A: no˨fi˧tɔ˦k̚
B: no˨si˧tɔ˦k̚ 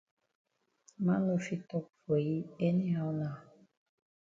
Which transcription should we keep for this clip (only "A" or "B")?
A